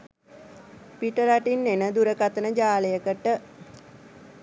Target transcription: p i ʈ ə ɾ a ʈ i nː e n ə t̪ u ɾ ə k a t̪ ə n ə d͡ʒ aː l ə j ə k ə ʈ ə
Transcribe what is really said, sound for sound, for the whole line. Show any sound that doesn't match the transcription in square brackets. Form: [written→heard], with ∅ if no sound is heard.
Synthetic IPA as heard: p i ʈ ə ɾ a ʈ i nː e n ə [t̪→d̪] u ɾ ə k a t̪ ə n ə d͡ʒ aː l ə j ə k ə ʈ ə